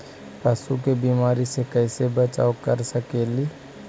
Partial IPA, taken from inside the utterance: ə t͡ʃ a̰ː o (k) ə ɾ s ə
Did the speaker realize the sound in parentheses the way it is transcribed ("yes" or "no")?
yes